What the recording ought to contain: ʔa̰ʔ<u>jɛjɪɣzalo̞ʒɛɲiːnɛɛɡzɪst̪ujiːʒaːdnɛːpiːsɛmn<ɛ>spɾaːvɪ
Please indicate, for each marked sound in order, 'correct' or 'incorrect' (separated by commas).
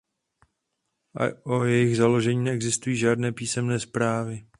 incorrect, incorrect